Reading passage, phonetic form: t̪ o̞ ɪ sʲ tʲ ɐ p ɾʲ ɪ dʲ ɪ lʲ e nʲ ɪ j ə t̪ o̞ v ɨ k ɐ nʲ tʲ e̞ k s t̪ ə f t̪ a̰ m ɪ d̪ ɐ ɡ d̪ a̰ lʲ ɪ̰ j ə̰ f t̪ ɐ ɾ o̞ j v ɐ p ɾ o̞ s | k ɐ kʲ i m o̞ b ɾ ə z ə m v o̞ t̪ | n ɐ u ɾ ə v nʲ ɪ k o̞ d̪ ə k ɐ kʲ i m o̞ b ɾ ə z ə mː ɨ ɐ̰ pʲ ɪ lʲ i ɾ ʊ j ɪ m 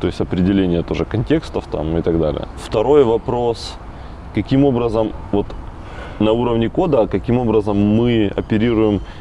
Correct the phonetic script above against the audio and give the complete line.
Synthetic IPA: t̪ o̞ ɪ sʲ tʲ ɐ p ɾʲ ɪ dʲ ɪ lʲ e nʲ ɪ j ə t̪ o̞ ʐ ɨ k ɐ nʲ tʲ e̞ k s t̪ ə f t̪ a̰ m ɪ t̪ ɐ ɡ d̪ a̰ lʲ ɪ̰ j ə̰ f t̪ ɐ ɾ o̞ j v ɐ p ɾ o̞ s | k ɐ kʲ i m o̞ b ɾ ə z ə m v o̞ t̪ | n ɐ u ɾ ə v nʲ ɪ k o̞ d̪ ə k ɐ kʲ i m o̞ b ɾ ə z ə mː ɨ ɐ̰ pʲ ɪ ɾʲ i ɾ ʊ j ɪ m